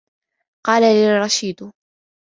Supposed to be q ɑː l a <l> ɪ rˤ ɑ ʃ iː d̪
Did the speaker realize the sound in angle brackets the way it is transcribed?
yes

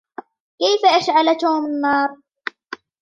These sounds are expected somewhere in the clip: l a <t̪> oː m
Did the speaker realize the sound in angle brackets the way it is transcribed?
yes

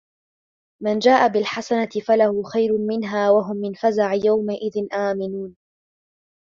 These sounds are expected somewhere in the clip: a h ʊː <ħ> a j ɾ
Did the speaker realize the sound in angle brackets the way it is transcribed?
no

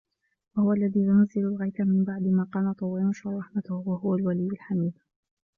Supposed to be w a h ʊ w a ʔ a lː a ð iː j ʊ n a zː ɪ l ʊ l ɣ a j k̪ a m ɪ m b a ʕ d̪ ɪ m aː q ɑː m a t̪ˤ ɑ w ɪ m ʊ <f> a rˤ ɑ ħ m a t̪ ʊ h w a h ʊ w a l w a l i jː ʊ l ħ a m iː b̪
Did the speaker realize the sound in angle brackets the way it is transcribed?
no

